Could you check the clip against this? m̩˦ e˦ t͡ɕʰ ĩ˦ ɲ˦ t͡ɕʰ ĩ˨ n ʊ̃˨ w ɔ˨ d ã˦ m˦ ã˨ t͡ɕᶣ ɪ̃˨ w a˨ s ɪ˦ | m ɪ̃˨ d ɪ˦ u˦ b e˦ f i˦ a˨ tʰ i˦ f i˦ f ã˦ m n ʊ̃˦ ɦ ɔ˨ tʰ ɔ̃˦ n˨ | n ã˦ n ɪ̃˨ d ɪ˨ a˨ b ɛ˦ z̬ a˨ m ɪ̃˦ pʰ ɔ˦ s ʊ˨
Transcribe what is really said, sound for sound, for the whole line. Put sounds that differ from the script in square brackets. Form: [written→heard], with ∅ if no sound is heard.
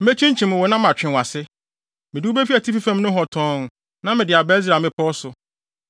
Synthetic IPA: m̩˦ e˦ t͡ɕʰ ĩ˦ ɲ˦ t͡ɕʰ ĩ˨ [n→m] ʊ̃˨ w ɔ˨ [d→n] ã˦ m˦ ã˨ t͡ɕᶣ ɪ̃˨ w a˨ s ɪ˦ | m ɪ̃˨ d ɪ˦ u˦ b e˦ f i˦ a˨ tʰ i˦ f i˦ f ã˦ m n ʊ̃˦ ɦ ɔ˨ tʰ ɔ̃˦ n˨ | n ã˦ [n→m] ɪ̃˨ d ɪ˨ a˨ b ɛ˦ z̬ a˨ m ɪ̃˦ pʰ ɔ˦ s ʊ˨